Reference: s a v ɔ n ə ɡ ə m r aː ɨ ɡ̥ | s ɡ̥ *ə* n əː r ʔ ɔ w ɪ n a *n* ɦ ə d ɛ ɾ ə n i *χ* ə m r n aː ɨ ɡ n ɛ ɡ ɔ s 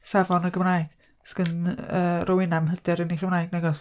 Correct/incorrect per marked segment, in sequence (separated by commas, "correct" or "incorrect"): correct, incorrect, correct